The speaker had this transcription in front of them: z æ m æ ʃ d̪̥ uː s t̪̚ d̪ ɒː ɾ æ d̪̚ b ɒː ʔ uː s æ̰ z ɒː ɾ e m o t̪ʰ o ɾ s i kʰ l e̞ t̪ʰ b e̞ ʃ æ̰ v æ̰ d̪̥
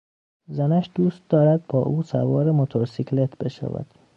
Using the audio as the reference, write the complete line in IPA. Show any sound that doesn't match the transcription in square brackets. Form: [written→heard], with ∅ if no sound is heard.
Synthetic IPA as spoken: z æ [m→n] æ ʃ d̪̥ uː s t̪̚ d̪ ɒː ɾ æ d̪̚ b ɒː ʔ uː s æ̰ [z→v] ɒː ɾ e m o t̪ʰ o ɾ s i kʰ l e̞ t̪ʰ b e̞ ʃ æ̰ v æ̰ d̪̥

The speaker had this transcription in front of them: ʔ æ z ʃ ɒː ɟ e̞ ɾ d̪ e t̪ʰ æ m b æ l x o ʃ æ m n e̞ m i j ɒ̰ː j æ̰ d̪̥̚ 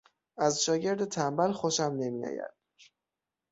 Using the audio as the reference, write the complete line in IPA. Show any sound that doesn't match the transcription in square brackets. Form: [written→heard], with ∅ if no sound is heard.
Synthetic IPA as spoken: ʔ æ z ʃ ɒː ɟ e̞ ɾ d̪ e t̪ʰ æ m b æ l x o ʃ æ m n e̞ m i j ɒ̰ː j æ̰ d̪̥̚

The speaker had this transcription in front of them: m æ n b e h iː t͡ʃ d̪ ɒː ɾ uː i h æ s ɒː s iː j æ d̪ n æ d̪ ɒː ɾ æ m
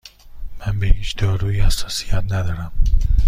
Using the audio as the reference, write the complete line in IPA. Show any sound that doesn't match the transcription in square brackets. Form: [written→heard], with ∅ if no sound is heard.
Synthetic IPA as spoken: m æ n b e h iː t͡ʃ d̪ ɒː ɾ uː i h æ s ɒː s [iː→i] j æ [d̪→t̪] n æ d̪ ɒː ɾ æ m

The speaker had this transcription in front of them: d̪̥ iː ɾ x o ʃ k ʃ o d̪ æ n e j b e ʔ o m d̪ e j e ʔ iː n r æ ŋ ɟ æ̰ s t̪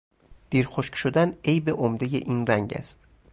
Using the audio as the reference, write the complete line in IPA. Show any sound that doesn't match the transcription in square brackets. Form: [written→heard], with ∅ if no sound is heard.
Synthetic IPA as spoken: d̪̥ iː ɾ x o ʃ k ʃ o d̪ æ n e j b e ʔ o m d̪ e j e ʔ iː n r æ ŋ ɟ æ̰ s t̪

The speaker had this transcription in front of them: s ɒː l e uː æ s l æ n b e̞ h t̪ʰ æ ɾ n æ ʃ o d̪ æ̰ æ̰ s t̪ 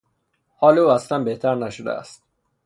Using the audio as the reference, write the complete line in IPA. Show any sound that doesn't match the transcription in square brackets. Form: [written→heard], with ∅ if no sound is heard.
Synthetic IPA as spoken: [s→h] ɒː l e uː æ s l æ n b e̞ h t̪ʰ æ ɾ n æ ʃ o d̪ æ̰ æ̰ s t̪

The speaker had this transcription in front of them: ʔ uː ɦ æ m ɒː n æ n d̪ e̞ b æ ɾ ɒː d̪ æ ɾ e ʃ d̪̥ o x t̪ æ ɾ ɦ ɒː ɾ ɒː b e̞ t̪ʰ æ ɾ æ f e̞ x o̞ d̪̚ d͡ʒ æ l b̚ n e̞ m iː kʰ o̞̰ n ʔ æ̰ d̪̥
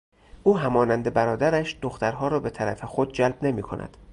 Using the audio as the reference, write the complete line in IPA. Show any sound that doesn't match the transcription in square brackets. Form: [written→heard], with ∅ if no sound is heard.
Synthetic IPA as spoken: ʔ uː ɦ æ m ɒː n æ n d̪ e̞ b æ ɾ ɒː d̪ æ ɾ [e→æ] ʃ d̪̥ o x t̪ æ ɾ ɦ ɒː ɾ ɒː b e̞ t̪ʰ æ ɾ æ f e̞ x o̞ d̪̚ d͡ʒ æ l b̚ n e̞ m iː kʰ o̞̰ n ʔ æ̰ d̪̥

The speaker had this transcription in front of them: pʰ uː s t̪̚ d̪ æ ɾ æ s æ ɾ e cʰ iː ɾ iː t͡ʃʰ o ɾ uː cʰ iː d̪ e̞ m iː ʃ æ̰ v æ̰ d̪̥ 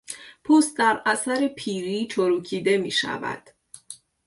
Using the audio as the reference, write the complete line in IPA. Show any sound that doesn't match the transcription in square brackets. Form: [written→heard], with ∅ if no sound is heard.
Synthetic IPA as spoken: pʰ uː s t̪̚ d̪ æ ɾ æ s æ ɾ e [cʰ→pʰ] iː ɾ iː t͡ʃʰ o ɾ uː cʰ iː d̪ e̞ m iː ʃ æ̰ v æ̰ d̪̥

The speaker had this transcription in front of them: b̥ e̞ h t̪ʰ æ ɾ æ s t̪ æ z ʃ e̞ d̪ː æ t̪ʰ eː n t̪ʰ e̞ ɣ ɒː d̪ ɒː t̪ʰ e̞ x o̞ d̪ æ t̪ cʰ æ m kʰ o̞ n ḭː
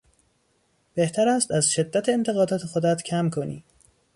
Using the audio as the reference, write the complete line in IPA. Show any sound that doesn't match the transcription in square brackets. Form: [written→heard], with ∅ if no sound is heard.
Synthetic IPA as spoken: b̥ e̞ h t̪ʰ æ ɾ æ s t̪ æ z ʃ e̞ d̪ː æ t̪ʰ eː n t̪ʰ e̞ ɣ ɒː d̪ ɒː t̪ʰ e̞ x o̞ d̪ æ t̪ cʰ æ m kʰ o̞ n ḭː

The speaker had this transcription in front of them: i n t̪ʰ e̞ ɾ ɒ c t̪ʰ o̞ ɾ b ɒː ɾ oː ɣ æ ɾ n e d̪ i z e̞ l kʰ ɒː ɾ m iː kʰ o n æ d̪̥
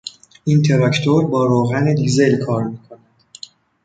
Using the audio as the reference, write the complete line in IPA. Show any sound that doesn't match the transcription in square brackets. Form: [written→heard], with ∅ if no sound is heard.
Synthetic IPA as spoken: i n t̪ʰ e̞ ɾ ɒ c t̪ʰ o̞ ɾ b ɒː ɾ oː ɣ æ [ɾ→∅] n e d̪ i z e̞ l kʰ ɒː ɾ m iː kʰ o n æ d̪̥

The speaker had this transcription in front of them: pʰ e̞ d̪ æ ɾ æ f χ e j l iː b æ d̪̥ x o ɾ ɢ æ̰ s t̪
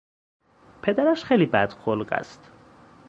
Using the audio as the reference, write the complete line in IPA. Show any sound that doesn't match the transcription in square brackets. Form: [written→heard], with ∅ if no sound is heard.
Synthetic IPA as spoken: pʰ e̞ d̪ æ ɾ æ [f→ʃ] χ e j l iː b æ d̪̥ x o [ɾ→l] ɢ æ̰ s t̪

